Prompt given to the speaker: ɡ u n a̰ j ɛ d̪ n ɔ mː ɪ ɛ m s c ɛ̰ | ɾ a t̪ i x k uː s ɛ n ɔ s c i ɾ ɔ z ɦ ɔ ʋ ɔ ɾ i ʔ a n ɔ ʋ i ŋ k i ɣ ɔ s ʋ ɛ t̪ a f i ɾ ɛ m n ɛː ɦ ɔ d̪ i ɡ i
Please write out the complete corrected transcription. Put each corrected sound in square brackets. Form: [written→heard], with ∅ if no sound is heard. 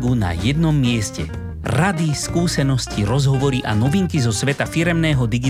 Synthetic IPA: ɡ u n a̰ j ɛ d̪ n ɔ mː ɪ ɛ [m→∅] s c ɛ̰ | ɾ a [t̪→d̪] i [x→s] k uː s ɛ n ɔ s c i ɾ ɔ z ɦ ɔ ʋ ɔ ɾ i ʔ a n ɔ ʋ i ŋ k i [ɣ→z] ɔ s ʋ ɛ t̪ a f i ɾ ɛ m n ɛː ɦ ɔ d̪ i ɡ i